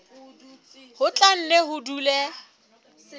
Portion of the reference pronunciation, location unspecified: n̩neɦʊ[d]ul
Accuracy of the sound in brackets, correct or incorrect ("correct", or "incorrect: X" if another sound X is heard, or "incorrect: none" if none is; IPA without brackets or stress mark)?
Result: correct